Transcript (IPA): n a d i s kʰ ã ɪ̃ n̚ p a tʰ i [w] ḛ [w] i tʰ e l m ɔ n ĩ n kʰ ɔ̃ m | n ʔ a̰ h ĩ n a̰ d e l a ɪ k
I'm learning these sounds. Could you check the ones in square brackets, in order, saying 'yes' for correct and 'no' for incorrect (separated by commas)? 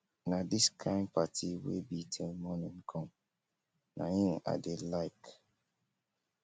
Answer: yes, no